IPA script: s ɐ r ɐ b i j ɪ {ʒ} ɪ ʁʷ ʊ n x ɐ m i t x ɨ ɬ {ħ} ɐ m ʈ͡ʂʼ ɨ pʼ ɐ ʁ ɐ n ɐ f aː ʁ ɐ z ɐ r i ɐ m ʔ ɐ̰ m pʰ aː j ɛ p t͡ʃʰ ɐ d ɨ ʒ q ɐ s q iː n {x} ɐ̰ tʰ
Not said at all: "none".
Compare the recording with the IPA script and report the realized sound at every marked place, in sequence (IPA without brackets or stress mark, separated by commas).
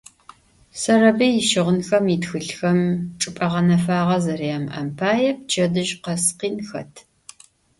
ʃ, x, x